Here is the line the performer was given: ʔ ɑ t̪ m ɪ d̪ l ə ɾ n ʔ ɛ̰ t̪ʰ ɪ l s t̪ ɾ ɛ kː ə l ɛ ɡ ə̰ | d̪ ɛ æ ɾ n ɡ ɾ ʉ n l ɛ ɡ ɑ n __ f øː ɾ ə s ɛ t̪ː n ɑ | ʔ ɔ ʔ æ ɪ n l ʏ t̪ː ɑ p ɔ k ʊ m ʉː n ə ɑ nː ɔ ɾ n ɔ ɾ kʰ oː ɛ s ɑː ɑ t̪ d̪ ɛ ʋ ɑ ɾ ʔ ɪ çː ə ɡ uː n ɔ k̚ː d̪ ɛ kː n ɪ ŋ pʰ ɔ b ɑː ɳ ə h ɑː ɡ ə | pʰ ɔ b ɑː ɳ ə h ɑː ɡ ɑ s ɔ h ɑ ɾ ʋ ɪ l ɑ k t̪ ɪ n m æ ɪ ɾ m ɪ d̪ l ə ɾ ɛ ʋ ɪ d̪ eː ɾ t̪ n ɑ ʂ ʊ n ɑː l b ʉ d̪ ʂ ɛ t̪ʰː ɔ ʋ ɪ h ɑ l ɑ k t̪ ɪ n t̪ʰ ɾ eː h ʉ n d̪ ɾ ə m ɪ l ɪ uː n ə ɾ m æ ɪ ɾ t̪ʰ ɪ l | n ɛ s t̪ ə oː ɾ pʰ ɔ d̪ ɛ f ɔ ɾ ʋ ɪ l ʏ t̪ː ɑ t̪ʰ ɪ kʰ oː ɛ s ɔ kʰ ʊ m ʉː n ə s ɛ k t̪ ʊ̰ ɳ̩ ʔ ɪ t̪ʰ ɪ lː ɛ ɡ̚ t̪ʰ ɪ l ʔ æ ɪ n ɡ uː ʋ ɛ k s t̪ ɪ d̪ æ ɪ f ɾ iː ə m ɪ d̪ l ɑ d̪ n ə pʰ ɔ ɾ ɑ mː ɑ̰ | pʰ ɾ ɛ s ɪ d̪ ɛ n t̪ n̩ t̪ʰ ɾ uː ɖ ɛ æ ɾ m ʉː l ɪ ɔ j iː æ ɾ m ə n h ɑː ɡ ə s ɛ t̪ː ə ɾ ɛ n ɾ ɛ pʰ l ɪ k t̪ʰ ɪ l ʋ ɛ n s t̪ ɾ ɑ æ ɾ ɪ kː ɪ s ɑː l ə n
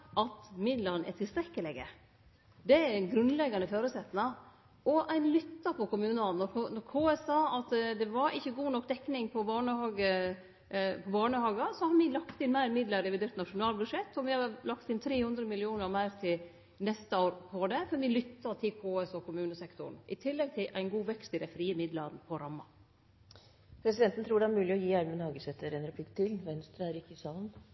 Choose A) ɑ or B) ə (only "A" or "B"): B